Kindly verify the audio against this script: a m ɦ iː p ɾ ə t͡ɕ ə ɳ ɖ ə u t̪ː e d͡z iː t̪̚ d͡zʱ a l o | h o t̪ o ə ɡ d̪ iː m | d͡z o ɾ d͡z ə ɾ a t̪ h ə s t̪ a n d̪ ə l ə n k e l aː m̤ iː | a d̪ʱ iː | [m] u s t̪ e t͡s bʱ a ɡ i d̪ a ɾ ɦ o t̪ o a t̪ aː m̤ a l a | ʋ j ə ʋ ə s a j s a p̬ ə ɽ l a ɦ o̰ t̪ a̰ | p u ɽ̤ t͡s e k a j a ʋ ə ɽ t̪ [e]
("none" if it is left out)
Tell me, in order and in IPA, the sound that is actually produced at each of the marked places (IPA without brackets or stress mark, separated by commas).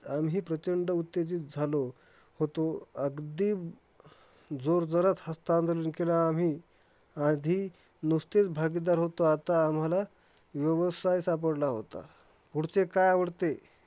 n, e